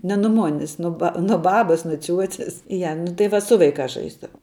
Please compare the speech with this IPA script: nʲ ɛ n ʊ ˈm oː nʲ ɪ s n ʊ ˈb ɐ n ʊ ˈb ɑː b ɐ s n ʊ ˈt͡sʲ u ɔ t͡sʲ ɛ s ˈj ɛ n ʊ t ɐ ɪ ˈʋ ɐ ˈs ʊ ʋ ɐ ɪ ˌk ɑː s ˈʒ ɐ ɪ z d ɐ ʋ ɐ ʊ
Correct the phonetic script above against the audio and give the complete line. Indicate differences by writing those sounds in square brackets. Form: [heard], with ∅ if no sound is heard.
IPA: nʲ ɛ n ʊ ˈm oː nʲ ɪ s n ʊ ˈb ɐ n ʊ ˈb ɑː b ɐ s n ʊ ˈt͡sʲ u ɔ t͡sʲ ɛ s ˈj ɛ n ʊ t ɐ ɪ ˈʋ ɐ ˈs ʊ ʋ ɐ ɪ ˌk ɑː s ˈʒ ɐ ɪ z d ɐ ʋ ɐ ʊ